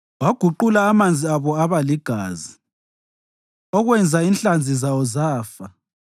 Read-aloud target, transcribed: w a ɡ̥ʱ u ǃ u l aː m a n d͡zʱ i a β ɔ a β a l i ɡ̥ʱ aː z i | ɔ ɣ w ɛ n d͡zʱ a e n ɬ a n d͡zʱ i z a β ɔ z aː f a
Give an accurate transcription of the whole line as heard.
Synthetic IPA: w a ɡ̥ʱ u ǃ u l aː m a n d͡zʱ i a β ɔ a β a l i ɡ̥ʱ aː z i | ɔ ɣ w ɛ n d͡zʱ a i n ɬ a n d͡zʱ i z a w ɔ z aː f a